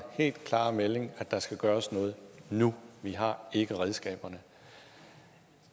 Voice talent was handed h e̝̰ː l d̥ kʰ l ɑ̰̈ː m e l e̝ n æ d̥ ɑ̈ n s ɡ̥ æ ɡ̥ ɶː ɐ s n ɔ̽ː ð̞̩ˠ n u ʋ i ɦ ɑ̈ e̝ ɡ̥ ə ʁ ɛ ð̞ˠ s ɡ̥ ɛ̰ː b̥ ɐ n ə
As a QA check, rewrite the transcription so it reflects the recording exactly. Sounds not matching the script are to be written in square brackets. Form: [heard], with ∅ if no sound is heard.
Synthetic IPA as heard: h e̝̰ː l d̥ kʰ l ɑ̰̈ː m e l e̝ [ŋ] æ d̥ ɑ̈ [∅] s ɡ̥ æ ɡ̥ ɶː ɐ s n ɔ̽ː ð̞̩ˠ n u ʋ i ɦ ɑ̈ e̝ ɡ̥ ə ʁ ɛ ð̞ˠ s ɡ̥ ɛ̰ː b̥ ɐ n ə

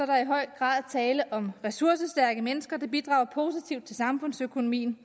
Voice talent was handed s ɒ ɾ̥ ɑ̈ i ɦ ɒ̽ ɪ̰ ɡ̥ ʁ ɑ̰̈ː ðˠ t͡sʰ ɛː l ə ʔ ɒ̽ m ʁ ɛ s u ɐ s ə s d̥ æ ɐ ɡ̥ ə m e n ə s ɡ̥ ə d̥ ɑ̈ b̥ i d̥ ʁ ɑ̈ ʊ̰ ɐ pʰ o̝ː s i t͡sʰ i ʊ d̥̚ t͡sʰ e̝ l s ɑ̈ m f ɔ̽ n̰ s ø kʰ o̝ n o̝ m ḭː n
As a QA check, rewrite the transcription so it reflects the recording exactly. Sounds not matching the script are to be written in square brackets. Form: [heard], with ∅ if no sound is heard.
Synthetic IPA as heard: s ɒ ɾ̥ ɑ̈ i ɦ ɒ̽ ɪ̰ ɡ̥ ʁ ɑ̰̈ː ðˠ t͡sʰ ɛː l ə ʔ ɒ̽ m ʁ ɛ s u ɐ s ə s d̥ æ ɐ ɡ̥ ə m e n ə s ɡ̥ [ɐ] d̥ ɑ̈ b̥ i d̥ ʁ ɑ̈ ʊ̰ ɐ pʰ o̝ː s i t͡sʰ i ʊ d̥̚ t͡sʰ e̝ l s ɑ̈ m f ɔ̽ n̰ s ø kʰ o̝ n o̝ m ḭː n

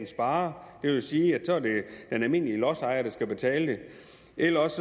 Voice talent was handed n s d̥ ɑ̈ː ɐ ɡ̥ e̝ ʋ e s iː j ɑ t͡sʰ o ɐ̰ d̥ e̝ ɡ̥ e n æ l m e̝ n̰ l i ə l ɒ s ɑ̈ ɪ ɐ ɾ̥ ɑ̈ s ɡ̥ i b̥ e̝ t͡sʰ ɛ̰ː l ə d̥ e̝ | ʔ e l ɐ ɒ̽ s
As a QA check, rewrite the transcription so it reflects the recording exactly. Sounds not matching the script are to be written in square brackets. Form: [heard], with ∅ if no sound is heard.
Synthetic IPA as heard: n s [b̥] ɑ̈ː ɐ [d̥] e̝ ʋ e s iː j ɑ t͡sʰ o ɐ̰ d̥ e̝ [d̥] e n æ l m e̝ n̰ l i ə l ɒ s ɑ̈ ɪ ɐ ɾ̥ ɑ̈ s ɡ̥ [æ] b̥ e̝ t͡sʰ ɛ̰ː l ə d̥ e̝ | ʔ e l ɐ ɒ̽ s

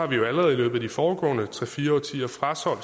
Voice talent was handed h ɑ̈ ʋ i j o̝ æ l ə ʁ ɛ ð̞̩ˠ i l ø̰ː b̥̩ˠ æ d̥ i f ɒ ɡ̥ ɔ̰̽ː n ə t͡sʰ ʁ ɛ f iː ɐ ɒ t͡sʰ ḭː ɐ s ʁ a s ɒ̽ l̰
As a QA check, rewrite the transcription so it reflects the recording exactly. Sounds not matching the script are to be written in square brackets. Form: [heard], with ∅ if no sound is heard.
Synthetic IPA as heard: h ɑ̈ ʋ i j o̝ æ l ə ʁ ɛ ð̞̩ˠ i l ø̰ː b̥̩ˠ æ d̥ i f [ɒː] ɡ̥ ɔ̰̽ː n ə t͡sʰ ʁ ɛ f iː ɐ ɒ t͡sʰ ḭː ɐ [f] ʁ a s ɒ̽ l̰

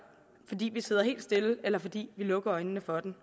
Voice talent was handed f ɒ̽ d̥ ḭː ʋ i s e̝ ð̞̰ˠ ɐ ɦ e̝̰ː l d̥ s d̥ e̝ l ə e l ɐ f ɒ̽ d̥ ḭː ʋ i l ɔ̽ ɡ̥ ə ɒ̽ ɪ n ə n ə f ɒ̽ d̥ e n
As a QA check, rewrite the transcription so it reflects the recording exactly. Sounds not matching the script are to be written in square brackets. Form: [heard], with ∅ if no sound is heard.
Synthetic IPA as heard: f ɒ̽ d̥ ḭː ʋ i s e̝ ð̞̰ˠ ɐ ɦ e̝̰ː l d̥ s d̥ e̝ l ə e l ɐ f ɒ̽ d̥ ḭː ʋ i l ɔ̽ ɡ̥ [ɐ] ɒ̽ ɪ n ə n ə f ɒ̽ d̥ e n

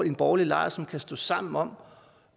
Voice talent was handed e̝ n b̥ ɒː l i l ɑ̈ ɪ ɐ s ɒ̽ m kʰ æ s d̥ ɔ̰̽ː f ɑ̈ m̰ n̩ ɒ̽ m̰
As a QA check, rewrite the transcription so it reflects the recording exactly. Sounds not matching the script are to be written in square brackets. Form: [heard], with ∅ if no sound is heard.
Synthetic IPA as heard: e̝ n b̥ ɒː l i l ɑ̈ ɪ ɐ s ɒ̽ m kʰ æ s d̥ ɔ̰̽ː [s] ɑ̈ m̰ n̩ ɒ̽ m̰

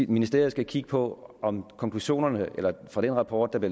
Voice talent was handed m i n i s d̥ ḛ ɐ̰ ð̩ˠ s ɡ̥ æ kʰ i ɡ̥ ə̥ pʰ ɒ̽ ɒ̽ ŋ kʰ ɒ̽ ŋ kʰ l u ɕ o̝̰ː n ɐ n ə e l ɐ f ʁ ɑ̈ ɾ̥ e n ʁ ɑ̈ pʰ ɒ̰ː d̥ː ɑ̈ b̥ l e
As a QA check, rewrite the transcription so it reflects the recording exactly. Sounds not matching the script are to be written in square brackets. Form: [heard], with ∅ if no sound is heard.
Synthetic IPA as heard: m i n i s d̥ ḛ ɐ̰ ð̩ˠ s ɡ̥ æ kʰ i ɡ̥ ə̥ pʰ ɒ̽ ɒ̽ [m] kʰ ɒ̽ ŋ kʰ l u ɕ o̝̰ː n ɐ n ə e l ɐ f ʁ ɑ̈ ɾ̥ e n ʁ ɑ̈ pʰ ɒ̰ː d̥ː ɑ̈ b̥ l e

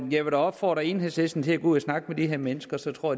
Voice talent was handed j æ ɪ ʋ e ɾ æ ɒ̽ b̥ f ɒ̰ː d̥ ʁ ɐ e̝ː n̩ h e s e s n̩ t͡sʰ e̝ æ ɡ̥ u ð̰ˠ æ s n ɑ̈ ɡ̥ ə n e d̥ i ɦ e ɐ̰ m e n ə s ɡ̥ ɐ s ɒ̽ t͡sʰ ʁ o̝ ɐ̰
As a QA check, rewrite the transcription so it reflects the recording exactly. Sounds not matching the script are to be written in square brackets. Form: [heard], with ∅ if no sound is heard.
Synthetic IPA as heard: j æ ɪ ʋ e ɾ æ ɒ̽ b̥ f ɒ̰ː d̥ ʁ ɐ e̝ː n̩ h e s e s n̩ t͡sʰ e̝ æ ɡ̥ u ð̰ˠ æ s n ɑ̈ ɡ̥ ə [m] e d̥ i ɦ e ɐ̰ m e n ə s ɡ̥ ɐ s ɒ̽ t͡sʰ ʁ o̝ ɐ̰

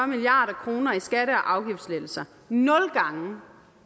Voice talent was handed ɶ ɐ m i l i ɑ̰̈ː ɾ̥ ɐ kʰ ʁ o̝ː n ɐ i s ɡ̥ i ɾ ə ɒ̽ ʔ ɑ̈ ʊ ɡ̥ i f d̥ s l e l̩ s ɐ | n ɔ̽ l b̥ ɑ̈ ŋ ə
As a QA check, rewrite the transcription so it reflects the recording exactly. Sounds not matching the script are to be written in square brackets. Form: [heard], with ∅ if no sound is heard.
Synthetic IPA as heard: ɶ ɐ m i l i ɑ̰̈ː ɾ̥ ɐ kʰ ʁ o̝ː n ɐ i s ɡ̥ [æ] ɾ ə ɒ̽ ʔ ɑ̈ ʊ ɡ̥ i f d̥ s l e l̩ s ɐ | n ɔ̽ l [ɡ̥] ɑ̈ ŋ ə

